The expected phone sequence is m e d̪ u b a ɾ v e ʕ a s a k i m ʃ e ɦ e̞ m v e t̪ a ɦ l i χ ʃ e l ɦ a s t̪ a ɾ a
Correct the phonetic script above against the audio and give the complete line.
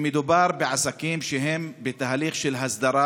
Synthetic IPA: m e d̪ u b a ɾ b e ʕ a s a k i m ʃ e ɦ e̞ m b e t̪ a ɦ l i χ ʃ e l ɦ a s d̪ a ɾ a